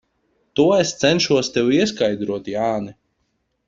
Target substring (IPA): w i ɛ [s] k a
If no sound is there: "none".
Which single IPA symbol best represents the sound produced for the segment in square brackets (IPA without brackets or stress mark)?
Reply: s